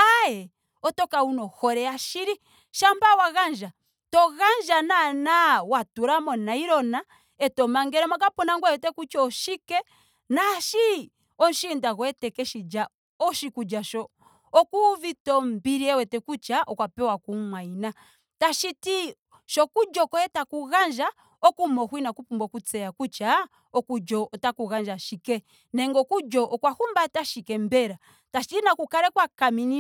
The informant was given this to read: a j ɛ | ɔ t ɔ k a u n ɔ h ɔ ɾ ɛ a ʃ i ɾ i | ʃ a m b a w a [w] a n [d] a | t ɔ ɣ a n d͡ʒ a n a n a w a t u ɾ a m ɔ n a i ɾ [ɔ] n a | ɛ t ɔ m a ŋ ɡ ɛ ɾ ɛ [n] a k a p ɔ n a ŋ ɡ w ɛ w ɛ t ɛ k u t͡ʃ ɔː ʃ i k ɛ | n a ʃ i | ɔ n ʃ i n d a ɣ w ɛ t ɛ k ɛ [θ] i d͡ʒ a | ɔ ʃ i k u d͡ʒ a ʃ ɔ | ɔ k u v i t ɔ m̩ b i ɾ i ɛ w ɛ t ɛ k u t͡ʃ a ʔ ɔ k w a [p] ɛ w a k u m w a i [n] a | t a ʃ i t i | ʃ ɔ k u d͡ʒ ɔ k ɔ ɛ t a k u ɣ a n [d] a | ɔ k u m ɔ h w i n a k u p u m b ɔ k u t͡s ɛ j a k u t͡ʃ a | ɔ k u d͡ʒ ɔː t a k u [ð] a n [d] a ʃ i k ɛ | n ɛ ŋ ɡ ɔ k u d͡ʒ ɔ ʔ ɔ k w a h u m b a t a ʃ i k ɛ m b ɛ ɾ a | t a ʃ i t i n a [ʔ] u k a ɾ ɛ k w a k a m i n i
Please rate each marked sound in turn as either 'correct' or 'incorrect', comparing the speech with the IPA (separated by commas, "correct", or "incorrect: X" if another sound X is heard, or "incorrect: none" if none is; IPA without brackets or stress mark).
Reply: incorrect: ɣ, incorrect: d͡ʒ, correct, incorrect: m, incorrect: ʃ, correct, correct, incorrect: d͡ʒ, incorrect: ɣ, incorrect: d͡ʒ, incorrect: k